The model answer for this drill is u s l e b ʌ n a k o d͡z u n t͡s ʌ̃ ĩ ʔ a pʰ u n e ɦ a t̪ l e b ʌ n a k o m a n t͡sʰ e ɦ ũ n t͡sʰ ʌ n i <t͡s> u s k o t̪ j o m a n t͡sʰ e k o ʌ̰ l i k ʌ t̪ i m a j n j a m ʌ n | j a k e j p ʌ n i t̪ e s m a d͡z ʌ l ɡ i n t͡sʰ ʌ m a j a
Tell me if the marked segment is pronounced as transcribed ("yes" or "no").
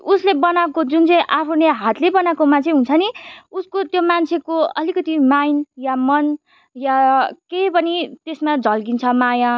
no